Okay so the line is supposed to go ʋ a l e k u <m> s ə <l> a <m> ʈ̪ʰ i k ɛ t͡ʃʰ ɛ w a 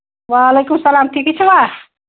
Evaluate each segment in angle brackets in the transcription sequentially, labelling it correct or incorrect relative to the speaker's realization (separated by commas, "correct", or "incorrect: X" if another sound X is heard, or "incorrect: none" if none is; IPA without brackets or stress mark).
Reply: correct, correct, correct